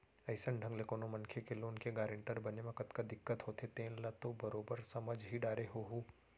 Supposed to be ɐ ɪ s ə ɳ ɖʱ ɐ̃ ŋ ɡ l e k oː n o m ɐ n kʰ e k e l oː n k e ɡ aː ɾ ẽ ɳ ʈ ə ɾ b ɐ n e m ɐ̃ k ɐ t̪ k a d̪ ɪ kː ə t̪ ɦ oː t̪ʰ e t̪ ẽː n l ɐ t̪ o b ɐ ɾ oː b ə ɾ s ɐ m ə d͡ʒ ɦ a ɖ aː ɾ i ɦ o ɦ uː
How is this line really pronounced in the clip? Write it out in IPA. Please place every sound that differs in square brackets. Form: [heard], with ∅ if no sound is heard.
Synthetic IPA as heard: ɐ ɪ s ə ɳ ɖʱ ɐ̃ ŋ ɡ l e k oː n o m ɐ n kʰ e k e l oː n k e ɡ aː ɾ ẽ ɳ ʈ ə ɾ b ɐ n e m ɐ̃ k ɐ t̪ k a d̪ ɪ kː ə t̪ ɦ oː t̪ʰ e t̪ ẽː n l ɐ t̪ o b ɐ ɾ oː b ə ɾ s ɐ m ə d͡ʒ ɦ [i] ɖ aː ɾ [e] ɦ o ɦ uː